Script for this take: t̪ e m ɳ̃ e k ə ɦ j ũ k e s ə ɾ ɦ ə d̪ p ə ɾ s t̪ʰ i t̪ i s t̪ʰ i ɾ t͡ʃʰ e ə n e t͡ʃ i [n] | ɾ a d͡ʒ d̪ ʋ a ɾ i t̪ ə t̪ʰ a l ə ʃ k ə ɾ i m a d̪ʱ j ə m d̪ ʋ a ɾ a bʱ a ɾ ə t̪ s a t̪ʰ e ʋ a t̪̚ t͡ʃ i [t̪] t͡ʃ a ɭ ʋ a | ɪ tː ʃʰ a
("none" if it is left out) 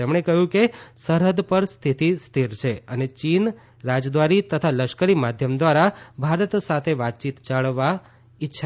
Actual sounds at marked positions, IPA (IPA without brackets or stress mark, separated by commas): n, t̪